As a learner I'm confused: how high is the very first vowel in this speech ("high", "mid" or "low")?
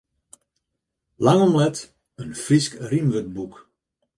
low